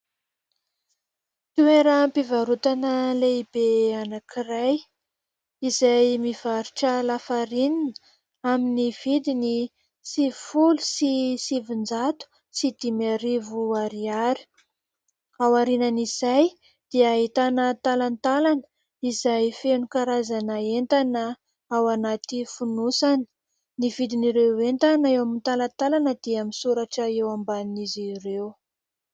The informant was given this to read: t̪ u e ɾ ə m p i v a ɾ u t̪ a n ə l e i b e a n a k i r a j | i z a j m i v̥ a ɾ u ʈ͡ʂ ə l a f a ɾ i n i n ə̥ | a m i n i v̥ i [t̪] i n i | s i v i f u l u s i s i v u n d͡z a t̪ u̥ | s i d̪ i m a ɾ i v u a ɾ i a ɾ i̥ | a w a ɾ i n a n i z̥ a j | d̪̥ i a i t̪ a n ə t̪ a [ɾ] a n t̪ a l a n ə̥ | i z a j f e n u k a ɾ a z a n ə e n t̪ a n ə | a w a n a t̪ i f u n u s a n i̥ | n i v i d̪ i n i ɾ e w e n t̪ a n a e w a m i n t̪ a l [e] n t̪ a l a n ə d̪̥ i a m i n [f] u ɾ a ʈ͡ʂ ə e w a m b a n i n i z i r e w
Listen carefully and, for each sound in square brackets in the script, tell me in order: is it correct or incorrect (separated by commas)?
incorrect, incorrect, incorrect, incorrect